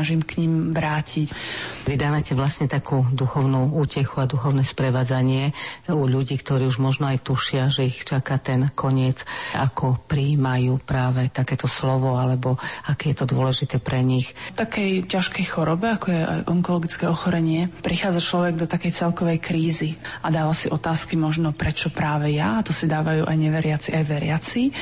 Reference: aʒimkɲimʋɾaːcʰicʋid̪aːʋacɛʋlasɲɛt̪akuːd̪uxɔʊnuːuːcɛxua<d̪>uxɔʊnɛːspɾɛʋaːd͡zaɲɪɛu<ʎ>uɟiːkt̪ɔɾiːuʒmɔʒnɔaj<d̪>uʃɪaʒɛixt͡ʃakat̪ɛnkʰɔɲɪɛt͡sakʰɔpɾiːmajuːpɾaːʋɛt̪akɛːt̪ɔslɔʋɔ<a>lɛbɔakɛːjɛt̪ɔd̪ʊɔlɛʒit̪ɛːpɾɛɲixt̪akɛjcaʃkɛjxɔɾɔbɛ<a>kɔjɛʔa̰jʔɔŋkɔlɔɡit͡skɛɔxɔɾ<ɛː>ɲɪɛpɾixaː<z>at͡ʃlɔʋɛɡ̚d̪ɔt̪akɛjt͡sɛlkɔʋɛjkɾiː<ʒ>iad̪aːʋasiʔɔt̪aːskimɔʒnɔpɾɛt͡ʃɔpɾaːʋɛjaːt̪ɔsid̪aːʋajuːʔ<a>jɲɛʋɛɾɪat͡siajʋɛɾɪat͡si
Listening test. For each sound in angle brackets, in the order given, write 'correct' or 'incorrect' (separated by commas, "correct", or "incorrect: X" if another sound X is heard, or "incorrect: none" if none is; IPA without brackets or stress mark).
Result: correct, correct, incorrect: t̪, correct, correct, incorrect: ɛ, incorrect: d͡z, incorrect: z, correct